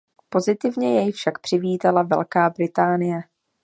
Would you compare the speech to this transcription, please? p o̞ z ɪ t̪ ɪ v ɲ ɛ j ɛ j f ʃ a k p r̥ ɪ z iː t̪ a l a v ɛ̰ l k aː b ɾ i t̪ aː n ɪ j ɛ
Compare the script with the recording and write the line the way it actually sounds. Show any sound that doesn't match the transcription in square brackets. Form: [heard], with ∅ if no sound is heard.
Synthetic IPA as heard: p o̞ z ɪ t̪ ɪ v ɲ ɛ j ɛ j f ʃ a k p r̥ ɪ [v] iː t̪ a l a v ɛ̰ l k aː b ɾ [ɪ] t̪ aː n ɪ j ɛ